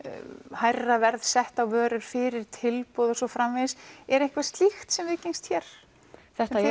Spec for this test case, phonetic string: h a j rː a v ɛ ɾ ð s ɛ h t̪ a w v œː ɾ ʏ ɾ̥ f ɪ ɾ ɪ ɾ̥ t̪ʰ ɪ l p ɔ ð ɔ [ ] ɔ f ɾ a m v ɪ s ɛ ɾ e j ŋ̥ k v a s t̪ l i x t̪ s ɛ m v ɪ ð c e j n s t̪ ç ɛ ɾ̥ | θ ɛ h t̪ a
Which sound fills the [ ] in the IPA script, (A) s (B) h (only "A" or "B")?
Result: A